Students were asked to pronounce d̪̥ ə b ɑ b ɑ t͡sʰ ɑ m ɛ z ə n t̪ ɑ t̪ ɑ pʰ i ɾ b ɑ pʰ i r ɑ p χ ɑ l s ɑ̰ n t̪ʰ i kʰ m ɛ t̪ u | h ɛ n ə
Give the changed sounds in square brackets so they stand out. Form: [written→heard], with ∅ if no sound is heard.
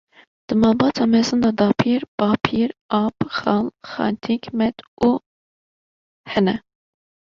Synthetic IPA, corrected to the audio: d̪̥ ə [b→m] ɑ b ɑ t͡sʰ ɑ m ɛ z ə n [t̪→d̪] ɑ [t̪→d̪] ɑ pʰ i ɾ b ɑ pʰ i [r→ɾ] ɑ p χ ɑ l [s→χ] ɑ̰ n t̪ʰ i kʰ m ɛ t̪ u | h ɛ n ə

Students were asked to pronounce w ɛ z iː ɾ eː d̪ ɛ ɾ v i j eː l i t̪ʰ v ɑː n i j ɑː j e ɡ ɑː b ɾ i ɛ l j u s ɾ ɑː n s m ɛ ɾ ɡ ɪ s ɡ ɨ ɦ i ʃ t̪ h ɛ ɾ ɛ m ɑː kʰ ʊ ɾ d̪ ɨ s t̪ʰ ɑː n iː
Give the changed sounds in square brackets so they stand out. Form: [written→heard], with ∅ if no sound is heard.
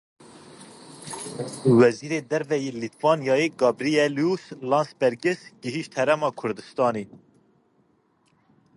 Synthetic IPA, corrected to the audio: w ɛ z iː ɾ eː d̪ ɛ ɾ v [i→ɛ] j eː l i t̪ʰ v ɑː n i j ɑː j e ɡ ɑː b ɾ i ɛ l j u s [ɾ→l] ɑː n s [m→b] ɛ ɾ ɡ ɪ s ɡ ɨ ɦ i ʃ t̪ h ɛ ɾ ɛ m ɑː kʰ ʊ ɾ d̪ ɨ s [t̪ʰ→t̪] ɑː n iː

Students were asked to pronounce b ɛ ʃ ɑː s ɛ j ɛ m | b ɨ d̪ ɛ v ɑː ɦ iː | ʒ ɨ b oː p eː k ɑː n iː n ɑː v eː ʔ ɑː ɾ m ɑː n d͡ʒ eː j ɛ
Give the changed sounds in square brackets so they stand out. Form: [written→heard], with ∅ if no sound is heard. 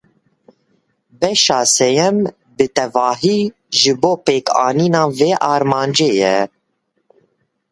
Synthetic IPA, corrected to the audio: b ɛ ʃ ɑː s ɛ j ɛ m | b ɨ [d̪→t̪] ɛ v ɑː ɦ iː | ʒ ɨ b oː p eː k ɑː n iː n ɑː v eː ʔ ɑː ɾ m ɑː n d͡ʒ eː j ɛ

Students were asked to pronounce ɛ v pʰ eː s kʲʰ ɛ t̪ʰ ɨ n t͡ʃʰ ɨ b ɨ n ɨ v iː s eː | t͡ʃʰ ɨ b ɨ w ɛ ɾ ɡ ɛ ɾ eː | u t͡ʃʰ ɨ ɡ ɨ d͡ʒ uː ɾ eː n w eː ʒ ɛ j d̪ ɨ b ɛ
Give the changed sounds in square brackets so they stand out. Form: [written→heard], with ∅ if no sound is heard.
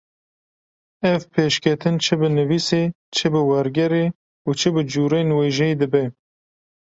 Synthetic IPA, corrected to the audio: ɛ v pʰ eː [s→ʃ] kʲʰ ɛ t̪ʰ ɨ n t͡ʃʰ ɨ b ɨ n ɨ v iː s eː | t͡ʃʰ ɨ b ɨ w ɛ ɾ ɡ ɛ ɾ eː | u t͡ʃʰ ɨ [ɡ→b] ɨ d͡ʒ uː ɾ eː n w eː ʒ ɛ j d̪ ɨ b ɛ

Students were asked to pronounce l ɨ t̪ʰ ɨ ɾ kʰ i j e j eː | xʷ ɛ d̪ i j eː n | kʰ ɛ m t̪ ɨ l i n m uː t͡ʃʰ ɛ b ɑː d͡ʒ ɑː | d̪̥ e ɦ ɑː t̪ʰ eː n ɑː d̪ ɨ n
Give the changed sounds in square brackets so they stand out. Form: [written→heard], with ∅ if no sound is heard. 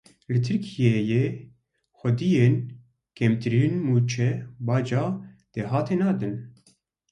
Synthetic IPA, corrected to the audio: l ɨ t̪ʰ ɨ ɾ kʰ i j e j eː | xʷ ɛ d̪ i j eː n | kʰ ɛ m t̪ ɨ [l→ɾ] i n m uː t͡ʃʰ ɛ b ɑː d͡ʒ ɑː | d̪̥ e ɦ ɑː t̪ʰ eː n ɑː d̪ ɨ n

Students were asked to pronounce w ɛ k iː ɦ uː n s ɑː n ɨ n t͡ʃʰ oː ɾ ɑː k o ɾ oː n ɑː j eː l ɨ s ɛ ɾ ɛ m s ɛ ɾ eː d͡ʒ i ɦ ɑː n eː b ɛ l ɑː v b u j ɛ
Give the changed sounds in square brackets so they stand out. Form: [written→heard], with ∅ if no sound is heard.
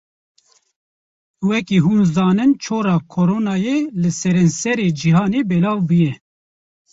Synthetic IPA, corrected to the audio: w ɛ k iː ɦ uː n [s→z] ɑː n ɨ n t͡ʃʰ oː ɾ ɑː [k→kʰ] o ɾ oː n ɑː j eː l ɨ s ɛ ɾ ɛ [m→n] s ɛ ɾ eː d͡ʒ i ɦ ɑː n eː b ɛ l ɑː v b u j ɛ

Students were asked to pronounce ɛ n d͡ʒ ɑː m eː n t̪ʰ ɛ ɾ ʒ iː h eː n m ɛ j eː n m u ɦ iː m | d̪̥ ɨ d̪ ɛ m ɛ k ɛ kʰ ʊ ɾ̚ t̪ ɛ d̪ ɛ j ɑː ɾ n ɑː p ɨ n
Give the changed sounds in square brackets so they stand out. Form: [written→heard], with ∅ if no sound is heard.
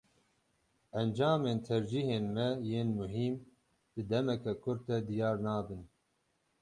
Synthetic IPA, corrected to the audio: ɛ n d͡ʒ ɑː m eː n t̪ʰ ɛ ɾ [ʒ→d͡ʒ] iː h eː n m ɛ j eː n m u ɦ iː m | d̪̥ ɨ d̪ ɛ m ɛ k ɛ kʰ ʊ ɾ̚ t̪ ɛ d̪ [ɛ→i] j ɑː ɾ n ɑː [p→b] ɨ n

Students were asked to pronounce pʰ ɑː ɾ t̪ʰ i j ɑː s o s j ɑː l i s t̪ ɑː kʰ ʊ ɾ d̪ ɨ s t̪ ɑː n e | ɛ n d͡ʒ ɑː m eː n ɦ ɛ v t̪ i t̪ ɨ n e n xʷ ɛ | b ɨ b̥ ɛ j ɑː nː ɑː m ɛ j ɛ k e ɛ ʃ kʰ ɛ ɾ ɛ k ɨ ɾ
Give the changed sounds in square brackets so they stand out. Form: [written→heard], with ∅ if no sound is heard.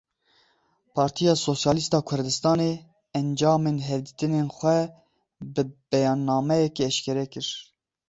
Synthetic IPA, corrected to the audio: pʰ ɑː ɾ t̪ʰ i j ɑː s o s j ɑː l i s t̪ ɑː kʰ ʊ ɾ d̪ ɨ s t̪ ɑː n e | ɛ n d͡ʒ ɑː m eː n ɦ ɛ v [t̪→d̪] i t̪ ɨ n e n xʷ ɛ | b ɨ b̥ ɛ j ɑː nː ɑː m ɛ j ɛ k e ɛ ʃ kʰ ɛ ɾ ɛ k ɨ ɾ

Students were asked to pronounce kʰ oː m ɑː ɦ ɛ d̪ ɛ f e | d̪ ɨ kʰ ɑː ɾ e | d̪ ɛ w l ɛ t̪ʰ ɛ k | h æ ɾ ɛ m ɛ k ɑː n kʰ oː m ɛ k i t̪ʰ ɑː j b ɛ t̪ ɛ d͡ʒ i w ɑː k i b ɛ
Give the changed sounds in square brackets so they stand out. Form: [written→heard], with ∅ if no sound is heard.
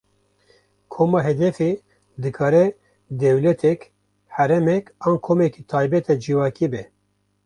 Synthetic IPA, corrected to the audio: kʰ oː m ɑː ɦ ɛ d̪ ɛ f e | d̪ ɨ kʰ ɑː ɾ [e→ɛ] | d̪ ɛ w l ɛ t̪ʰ ɛ k | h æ ɾ ɛ m ɛ k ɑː n kʰ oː m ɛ k i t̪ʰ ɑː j b ɛ t̪ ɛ d͡ʒ i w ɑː k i b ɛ

